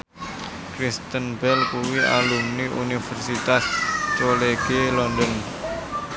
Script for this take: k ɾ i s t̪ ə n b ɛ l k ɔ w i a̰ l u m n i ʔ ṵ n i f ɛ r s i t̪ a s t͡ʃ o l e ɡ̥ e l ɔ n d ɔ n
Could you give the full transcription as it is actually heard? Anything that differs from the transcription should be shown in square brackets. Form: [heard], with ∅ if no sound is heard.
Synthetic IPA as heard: k ɾ i s t̪ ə n b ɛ l k [u] w i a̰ l u m n i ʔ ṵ n i f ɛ r s i t̪ a s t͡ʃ o l e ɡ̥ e l ɔ n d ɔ n